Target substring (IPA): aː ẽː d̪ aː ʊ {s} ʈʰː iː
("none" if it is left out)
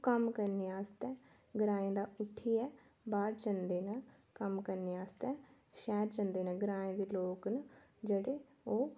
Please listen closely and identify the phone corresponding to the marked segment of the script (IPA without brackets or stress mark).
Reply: none